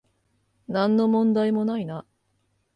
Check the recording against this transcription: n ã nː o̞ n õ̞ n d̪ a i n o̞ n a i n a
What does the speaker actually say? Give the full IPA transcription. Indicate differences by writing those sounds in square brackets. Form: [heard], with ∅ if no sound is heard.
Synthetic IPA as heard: n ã nː o̞ [m] õ̞ n d̪ a i [m] o̞ n a i n a